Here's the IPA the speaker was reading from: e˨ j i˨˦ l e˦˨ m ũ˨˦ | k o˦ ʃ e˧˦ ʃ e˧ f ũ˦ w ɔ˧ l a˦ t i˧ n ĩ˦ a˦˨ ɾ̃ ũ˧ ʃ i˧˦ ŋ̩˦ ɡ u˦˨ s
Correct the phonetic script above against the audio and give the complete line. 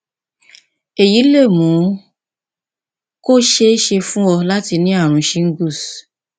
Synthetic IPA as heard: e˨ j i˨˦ l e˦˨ m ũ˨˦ | k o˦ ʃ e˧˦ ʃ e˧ f ũ˦ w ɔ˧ l a˦ t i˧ n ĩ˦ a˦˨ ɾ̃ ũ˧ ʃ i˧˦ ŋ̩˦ ɡ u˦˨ s